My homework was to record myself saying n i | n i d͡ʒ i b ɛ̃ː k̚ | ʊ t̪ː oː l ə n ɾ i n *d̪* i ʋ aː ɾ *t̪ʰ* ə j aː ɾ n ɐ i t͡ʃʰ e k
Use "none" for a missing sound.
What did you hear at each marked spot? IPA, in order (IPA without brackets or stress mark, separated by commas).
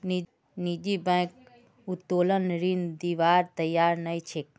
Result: d̪, t̪